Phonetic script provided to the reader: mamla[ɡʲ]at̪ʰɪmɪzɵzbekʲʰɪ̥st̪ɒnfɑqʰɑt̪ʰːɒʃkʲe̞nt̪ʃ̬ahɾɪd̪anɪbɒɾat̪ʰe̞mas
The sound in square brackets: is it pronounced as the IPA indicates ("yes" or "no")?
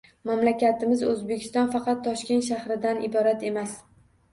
no